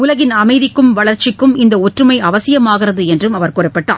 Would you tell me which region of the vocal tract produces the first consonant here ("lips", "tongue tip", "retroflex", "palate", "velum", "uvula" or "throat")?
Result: tongue tip